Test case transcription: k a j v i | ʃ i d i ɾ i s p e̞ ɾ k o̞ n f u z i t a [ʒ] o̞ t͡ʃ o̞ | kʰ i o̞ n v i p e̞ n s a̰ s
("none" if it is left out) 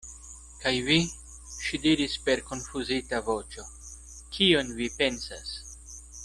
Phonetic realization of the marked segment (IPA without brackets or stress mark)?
v